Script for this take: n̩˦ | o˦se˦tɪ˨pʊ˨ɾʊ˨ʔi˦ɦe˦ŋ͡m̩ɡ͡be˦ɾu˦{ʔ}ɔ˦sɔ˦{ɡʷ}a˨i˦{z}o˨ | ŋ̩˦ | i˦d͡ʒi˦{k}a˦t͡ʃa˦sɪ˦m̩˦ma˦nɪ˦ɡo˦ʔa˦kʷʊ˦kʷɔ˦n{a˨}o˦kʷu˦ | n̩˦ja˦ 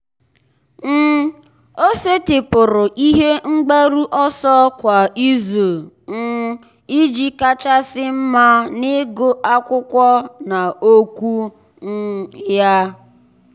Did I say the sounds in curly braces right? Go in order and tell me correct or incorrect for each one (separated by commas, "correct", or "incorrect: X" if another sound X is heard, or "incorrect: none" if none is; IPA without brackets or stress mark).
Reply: correct, incorrect: kʷ, correct, correct, correct